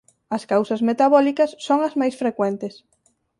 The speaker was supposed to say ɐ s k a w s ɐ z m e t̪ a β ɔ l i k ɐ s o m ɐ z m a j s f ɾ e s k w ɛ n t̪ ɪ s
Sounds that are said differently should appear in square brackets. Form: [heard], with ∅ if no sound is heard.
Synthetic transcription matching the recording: ɐ s k a w s ɐ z m e t̪ a β ɔ l i k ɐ [sː] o [ŋ] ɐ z m a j s f ɾ e [∅] k w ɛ n t̪ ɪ s